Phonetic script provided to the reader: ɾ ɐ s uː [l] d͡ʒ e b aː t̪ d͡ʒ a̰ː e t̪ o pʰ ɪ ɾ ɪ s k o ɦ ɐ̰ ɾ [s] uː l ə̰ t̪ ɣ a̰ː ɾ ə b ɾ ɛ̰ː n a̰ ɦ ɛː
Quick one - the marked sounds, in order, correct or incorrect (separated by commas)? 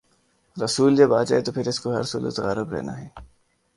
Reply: correct, correct